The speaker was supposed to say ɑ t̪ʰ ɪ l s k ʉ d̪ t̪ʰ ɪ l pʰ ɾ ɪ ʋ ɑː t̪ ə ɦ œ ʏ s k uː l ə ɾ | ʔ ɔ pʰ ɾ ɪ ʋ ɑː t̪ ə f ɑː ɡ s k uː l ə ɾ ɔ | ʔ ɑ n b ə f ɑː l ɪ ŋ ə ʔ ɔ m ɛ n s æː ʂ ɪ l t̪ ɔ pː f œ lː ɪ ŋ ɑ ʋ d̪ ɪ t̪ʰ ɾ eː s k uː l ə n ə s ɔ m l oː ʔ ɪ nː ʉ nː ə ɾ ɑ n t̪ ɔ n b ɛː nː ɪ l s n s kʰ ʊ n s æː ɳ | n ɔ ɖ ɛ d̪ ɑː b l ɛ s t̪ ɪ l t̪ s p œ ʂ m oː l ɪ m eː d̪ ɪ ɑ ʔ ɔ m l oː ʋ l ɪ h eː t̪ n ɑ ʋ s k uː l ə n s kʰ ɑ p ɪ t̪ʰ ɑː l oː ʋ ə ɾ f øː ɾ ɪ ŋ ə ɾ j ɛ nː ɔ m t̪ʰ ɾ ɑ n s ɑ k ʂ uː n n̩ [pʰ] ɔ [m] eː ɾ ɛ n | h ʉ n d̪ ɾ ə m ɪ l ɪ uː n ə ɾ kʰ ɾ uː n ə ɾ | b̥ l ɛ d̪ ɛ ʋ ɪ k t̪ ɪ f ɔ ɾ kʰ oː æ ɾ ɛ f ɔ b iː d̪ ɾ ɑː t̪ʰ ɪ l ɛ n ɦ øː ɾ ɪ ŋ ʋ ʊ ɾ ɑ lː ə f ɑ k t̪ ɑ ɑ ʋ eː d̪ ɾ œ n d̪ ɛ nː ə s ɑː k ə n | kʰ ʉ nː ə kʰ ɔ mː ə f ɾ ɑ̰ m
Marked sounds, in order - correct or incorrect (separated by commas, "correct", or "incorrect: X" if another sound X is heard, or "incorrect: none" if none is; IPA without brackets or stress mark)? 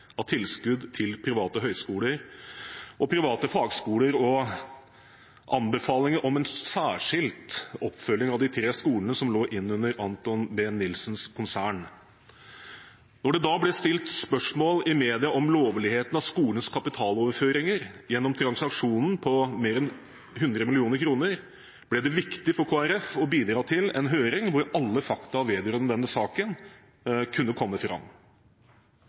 correct, correct